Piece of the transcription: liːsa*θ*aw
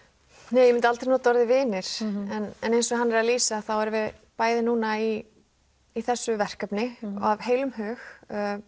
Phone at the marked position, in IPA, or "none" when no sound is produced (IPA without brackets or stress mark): θ